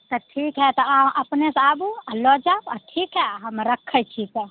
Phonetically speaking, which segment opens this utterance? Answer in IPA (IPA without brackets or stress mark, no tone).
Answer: t̪